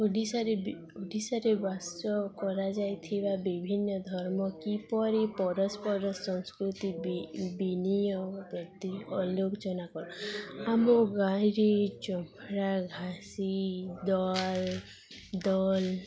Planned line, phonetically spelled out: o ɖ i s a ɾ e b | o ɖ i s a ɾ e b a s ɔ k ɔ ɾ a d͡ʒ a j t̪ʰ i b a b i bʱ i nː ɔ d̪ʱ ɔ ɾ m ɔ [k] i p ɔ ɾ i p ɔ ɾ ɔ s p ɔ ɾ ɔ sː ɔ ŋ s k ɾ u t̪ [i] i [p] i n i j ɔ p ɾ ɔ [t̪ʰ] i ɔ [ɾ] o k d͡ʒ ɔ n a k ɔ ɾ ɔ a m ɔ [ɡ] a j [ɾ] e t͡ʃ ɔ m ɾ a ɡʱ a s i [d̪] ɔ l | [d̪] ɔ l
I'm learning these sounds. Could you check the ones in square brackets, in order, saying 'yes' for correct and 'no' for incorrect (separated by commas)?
yes, yes, no, no, no, yes, yes, yes, yes